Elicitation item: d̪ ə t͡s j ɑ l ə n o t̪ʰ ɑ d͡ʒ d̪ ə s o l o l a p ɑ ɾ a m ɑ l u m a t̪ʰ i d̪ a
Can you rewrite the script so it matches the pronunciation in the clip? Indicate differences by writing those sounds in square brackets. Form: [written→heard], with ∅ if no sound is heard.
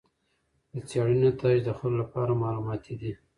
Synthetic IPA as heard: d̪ ə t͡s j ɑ [l→ɽ] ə n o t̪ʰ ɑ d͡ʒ d̪ ə [s→x] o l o l a p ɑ ɾ a m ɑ l u m [a→ɑ] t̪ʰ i d̪ [a→i]